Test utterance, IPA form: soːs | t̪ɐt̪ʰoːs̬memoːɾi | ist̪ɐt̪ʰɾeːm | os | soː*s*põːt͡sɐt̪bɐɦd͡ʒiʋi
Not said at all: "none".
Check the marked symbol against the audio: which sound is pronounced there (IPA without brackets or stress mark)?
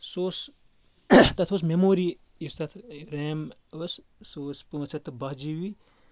s